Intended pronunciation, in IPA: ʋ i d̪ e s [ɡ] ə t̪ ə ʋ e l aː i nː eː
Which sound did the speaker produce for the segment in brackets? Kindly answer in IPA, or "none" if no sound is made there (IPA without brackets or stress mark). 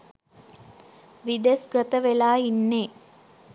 ɡ